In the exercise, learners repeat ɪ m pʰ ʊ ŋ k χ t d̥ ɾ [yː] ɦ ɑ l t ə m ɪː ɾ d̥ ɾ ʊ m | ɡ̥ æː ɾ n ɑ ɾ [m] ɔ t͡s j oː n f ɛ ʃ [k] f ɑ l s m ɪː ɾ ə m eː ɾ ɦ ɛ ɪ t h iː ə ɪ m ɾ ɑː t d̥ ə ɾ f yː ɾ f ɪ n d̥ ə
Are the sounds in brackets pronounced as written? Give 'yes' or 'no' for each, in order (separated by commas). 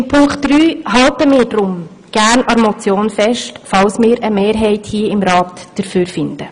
yes, yes, no